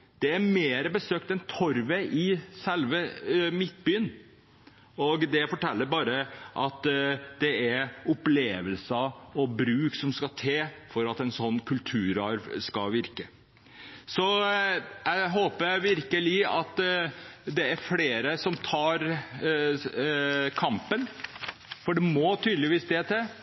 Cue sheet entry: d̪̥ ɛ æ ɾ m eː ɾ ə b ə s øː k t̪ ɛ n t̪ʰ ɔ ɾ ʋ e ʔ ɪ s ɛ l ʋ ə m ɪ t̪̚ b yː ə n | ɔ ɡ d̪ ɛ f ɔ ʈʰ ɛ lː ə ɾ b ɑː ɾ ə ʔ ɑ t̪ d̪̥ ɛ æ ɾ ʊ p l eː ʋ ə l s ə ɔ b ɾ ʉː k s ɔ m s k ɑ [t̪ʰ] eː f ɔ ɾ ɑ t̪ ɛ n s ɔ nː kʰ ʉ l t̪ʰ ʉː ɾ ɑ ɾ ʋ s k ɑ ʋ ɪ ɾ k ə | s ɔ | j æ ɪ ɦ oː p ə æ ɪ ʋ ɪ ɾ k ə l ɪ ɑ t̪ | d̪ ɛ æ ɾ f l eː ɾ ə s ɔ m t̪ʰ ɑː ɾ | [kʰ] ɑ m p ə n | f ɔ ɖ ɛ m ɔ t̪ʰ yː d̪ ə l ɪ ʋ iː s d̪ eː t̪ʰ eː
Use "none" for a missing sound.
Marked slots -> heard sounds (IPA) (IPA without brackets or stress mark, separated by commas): t̪ʰ, kʰ